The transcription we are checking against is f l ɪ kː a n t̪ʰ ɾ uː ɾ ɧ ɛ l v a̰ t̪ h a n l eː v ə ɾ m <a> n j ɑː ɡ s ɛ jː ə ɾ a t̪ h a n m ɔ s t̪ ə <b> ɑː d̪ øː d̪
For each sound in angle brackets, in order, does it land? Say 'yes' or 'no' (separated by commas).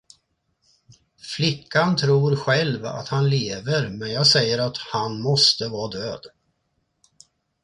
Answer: no, no